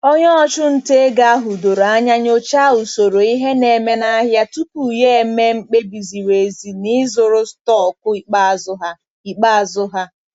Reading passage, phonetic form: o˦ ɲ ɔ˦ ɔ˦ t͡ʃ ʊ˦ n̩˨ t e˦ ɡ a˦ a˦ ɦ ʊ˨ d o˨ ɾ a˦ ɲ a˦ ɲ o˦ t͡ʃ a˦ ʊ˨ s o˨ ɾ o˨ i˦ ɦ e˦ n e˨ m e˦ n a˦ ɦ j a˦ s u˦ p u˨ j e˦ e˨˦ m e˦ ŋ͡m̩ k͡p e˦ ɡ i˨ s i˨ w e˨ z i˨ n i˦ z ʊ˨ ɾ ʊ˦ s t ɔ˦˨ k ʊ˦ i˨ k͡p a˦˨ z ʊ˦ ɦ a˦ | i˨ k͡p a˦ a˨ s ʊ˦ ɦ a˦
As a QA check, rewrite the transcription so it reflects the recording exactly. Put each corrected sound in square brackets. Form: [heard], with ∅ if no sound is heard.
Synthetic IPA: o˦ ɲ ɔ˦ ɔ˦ t͡ʃ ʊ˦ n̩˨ t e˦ ɡ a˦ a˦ ɦ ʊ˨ d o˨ ɾ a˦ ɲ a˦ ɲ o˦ t͡ʃ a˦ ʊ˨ s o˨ ɾ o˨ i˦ ɦ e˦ n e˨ m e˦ n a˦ ɦ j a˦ [t] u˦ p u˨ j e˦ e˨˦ m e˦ ŋ͡m̩ k͡p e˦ [b] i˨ [z] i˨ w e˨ z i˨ n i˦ z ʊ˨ ɾ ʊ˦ s t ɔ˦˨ k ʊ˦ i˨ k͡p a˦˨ z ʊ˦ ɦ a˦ | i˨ k͡p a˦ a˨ [z] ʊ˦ ɦ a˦